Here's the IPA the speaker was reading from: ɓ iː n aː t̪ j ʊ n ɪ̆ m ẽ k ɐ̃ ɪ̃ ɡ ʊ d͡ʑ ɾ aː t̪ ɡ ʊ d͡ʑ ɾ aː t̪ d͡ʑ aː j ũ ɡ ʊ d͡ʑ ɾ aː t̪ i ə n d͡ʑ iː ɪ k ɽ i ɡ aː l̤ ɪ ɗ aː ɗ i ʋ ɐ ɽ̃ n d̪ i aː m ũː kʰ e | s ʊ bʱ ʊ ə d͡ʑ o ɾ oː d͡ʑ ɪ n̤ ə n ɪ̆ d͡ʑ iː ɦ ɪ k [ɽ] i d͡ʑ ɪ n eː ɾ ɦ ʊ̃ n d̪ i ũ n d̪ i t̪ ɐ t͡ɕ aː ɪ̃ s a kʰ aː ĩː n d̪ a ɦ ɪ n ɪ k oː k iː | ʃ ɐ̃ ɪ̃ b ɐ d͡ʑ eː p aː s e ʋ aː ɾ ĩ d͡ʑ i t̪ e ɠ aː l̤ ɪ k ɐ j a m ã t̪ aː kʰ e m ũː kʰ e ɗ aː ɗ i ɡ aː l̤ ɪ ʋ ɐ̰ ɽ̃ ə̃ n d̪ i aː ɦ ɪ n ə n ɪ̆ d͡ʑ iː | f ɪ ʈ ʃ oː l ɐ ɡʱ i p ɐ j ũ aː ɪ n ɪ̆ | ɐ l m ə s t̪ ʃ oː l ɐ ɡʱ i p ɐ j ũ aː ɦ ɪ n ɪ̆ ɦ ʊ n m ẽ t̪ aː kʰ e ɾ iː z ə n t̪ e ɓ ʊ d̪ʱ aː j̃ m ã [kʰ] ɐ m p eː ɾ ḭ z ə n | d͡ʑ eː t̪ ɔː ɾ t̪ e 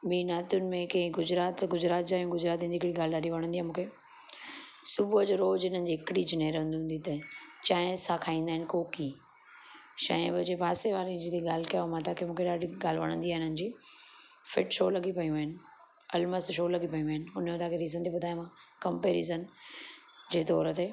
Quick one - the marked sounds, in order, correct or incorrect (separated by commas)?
correct, incorrect